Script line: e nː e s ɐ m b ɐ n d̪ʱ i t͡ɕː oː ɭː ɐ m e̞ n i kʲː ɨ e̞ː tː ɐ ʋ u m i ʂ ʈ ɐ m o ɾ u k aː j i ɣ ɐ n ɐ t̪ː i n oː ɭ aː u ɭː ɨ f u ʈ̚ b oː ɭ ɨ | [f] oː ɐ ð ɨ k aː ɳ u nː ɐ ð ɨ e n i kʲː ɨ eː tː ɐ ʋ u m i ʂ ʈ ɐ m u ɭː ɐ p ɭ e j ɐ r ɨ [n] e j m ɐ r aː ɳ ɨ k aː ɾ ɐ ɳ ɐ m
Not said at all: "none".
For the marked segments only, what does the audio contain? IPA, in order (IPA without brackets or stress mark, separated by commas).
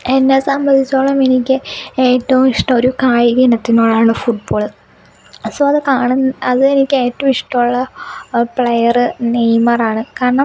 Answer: s, n